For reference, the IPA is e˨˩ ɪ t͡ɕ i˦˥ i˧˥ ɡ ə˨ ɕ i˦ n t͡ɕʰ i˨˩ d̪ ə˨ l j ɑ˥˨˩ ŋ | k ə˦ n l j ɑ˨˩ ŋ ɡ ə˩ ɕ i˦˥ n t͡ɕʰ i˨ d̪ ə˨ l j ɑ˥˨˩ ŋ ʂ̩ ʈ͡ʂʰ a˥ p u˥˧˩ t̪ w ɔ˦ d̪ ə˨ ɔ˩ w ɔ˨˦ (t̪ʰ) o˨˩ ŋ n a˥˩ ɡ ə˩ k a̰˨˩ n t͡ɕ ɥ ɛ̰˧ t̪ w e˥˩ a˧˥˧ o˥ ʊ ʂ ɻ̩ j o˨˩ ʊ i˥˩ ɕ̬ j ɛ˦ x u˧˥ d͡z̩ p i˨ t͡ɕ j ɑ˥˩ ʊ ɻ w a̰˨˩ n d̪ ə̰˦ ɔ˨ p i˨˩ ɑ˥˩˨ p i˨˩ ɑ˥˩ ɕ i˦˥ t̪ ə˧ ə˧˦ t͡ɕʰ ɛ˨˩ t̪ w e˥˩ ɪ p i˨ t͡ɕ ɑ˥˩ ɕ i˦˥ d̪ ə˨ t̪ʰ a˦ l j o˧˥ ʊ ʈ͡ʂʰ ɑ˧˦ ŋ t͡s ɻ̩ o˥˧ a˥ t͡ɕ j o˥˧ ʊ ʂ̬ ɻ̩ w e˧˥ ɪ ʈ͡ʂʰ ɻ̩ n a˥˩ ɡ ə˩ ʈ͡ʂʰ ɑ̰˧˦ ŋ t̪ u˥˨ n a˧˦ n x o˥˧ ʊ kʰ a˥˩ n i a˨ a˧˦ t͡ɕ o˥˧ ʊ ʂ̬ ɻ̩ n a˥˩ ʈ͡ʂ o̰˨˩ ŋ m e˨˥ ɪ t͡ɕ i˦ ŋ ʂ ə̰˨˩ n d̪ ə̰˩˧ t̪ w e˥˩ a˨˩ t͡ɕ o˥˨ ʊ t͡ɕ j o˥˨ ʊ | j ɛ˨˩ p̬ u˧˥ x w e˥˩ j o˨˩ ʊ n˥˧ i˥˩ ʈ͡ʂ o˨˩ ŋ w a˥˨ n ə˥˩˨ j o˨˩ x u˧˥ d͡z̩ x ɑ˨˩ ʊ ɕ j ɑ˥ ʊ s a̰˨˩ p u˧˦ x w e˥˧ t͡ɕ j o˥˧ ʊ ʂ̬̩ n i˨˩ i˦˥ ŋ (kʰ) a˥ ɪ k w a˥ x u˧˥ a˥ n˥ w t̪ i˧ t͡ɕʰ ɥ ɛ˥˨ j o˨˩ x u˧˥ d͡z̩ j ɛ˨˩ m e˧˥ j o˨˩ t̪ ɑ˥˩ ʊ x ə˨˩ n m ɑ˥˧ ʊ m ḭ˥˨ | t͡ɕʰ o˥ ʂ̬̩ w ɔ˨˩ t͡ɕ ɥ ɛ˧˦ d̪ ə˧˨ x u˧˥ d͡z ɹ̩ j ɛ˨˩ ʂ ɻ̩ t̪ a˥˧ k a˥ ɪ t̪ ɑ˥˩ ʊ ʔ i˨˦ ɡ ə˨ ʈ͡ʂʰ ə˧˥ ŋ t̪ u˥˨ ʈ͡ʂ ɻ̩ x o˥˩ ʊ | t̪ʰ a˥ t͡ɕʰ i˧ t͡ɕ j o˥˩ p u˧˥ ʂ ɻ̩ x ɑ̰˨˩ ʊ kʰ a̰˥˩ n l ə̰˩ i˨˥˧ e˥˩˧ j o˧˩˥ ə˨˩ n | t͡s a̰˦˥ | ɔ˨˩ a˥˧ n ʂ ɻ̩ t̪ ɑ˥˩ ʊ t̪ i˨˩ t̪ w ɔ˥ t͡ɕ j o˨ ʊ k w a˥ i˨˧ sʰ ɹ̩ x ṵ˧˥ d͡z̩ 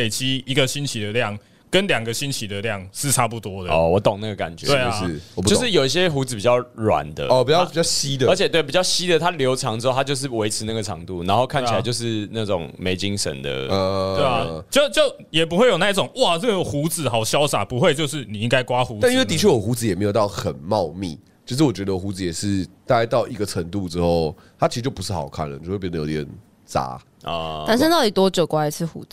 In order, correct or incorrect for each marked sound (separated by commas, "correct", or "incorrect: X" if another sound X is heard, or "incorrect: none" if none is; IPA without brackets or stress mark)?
incorrect: t̪, incorrect: k